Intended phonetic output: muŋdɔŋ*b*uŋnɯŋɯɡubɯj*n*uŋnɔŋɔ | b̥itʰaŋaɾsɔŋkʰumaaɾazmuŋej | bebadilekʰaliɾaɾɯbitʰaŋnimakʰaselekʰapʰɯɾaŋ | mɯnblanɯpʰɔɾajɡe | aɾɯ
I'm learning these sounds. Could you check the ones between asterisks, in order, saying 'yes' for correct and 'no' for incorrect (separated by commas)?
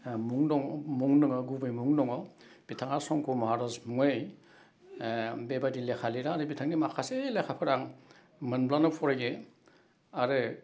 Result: no, no